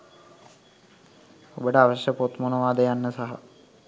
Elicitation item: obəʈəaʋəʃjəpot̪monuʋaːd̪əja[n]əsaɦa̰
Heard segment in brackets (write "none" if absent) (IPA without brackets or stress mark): nː